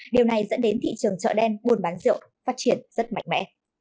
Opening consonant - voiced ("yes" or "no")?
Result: yes